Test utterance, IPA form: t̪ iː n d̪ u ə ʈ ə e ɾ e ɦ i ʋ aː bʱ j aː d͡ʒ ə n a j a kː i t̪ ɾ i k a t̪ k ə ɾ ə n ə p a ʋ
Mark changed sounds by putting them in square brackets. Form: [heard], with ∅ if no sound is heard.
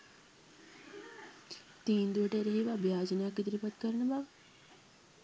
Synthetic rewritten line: t̪ iː n d̪ u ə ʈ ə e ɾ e ɦ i ʋ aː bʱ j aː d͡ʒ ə n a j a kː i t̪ ɾ i [p] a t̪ k ə ɾ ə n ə [b] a ʋ